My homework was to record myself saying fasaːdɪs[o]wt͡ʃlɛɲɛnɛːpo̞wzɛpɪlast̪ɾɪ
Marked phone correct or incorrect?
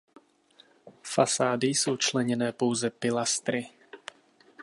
correct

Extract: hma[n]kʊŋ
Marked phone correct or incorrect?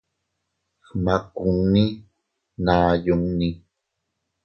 incorrect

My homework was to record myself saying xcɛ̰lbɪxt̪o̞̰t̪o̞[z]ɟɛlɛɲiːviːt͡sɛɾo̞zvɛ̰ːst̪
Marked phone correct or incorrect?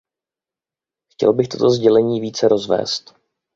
correct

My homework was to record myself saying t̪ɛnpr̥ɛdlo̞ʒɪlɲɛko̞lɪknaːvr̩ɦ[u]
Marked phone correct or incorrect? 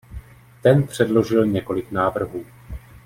incorrect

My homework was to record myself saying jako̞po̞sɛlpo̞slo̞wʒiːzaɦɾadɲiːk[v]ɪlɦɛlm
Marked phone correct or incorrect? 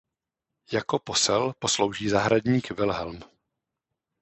correct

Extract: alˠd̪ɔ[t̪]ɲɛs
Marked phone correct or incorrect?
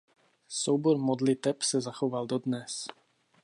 incorrect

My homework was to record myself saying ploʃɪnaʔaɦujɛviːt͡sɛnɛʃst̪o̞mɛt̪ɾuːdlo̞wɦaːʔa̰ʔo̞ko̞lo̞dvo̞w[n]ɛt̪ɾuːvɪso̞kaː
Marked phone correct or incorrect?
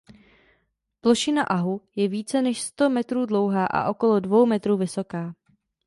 incorrect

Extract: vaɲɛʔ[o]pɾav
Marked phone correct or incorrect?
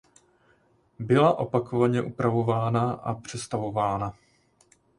incorrect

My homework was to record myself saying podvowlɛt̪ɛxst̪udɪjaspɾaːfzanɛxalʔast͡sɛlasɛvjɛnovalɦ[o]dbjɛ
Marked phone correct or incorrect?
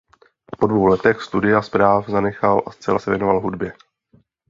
incorrect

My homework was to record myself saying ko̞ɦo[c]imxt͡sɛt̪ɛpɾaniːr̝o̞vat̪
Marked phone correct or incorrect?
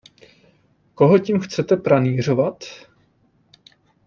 correct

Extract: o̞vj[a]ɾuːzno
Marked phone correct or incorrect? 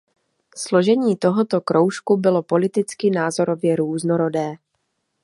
incorrect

